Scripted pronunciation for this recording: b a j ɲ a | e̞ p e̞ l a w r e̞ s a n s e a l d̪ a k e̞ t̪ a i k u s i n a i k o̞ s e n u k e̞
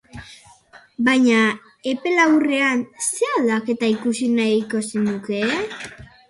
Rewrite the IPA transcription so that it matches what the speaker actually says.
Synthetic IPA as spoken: b a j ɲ a | e̞ p e̞ l a w r e̞ a n s e a l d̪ a k e̞ t̪ a i k u s i n a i k o̞ s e n u k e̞